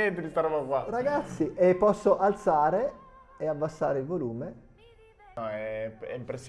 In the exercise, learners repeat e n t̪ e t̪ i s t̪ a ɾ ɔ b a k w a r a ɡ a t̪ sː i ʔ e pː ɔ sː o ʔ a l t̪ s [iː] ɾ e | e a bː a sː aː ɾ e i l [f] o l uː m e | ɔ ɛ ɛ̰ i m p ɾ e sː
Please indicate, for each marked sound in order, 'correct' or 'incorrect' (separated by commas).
incorrect, incorrect